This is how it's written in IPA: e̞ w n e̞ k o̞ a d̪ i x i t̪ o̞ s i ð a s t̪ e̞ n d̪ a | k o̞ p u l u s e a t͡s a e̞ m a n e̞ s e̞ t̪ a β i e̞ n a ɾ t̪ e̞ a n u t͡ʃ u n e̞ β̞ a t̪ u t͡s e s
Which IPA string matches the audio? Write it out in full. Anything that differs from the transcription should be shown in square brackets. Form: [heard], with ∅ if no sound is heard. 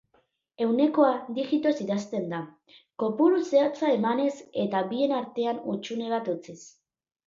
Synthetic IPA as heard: e̞ w n e̞ k o̞ a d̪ i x i t̪ o̞ s i ð a s t̪ e̞ n d̪ a | k o̞ p u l u s e a t͡s a e̞ m a n e̞ s e̞ t̪ a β i e̞ n a ɾ t̪ e̞ a n u t͡ʃ u n e̞ β̞ a t̪ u t͡s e s